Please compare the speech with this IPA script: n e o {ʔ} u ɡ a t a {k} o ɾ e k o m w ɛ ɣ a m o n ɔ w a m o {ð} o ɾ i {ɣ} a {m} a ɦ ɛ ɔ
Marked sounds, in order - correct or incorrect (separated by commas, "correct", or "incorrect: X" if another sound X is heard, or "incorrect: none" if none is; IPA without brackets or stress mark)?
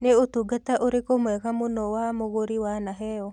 incorrect: t, incorrect: ʔ, incorrect: ɣ, incorrect: w, incorrect: n